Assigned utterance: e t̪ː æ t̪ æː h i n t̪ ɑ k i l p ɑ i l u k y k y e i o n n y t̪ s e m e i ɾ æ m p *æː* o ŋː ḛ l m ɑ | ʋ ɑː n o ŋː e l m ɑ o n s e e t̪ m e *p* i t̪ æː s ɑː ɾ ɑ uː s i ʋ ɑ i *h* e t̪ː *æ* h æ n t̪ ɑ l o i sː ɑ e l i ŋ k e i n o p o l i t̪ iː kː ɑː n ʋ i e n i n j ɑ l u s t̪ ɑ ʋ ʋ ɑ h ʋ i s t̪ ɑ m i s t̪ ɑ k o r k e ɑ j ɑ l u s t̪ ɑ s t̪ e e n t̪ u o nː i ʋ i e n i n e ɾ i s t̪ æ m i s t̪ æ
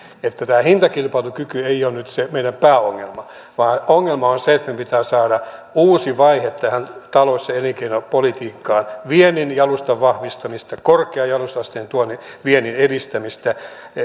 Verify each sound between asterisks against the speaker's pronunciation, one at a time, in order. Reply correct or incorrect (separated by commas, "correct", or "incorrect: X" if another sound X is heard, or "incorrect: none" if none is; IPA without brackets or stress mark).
correct, correct, correct, correct